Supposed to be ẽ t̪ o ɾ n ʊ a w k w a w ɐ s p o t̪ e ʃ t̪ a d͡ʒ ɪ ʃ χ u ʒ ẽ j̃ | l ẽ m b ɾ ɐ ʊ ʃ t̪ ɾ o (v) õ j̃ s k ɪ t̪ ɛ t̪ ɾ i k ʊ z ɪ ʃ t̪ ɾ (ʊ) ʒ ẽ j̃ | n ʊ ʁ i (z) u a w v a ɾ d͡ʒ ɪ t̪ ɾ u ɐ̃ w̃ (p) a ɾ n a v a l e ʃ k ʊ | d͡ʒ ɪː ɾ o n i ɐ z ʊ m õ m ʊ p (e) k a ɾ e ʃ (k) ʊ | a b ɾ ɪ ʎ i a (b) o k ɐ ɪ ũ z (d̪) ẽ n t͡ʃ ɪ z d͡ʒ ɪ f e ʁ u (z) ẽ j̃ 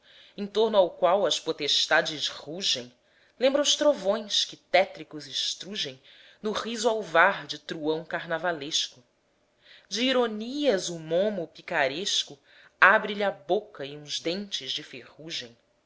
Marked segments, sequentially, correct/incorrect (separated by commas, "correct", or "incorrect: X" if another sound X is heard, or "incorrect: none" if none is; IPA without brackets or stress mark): correct, incorrect: u, correct, incorrect: k, incorrect: i, correct, correct, correct, incorrect: ʒ